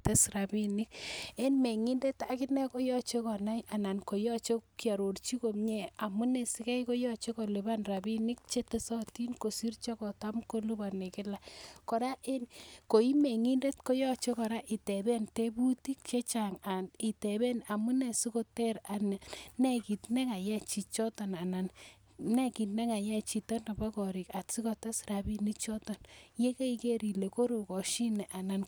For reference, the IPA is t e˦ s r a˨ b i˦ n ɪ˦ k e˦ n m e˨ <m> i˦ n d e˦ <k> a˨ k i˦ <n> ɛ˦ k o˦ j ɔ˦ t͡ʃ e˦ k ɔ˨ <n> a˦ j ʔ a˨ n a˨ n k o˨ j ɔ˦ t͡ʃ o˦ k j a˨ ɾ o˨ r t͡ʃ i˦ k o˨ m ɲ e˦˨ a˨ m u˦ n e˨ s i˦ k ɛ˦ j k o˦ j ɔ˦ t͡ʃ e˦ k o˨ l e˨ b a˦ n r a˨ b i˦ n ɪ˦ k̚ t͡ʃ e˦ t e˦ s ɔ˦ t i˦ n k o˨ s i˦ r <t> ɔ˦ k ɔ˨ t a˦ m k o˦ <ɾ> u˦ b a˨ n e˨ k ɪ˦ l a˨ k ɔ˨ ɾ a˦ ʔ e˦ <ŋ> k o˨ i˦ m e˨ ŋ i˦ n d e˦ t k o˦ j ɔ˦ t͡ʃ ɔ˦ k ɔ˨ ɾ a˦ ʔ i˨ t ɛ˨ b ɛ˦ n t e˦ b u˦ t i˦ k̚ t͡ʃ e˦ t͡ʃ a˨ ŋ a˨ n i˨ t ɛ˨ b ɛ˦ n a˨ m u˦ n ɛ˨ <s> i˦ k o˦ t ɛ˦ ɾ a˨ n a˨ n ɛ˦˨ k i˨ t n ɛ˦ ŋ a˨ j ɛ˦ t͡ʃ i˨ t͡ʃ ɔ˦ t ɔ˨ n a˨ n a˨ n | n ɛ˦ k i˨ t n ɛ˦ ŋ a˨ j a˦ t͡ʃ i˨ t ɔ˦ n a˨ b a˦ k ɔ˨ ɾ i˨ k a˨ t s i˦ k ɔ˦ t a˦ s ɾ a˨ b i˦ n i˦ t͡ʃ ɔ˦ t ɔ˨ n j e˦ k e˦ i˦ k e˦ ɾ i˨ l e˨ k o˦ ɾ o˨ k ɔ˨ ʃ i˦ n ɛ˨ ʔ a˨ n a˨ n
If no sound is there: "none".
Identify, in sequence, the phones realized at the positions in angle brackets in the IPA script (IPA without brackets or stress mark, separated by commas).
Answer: ŋ, t, n, n, t͡ʃ, l, n, s